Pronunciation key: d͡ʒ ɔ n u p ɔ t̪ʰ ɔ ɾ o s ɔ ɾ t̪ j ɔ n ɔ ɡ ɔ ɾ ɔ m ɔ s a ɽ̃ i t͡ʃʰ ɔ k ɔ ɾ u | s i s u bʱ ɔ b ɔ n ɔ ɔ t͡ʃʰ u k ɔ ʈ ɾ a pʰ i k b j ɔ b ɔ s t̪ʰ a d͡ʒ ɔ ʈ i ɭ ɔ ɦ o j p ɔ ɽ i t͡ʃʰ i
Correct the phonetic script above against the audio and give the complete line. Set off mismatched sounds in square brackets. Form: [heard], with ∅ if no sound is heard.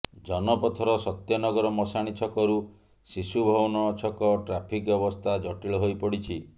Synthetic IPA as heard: d͡ʒ ɔ n [ɔ] p ɔ t̪ʰ ɔ ɾ [ɔ] s ɔ [∅] t̪ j ɔ n ɔ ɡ ɔ ɾ ɔ m ɔ s a ɽ̃ i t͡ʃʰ ɔ k ɔ ɾ u | s i s u bʱ ɔ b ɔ n ɔ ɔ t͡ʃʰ [ɔ] k ɔ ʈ ɾ a pʰ i k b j ɔ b ɔ s t̪ʰ a d͡ʒ ɔ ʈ i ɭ ɔ ɦ o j p ɔ ɽ i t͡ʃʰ i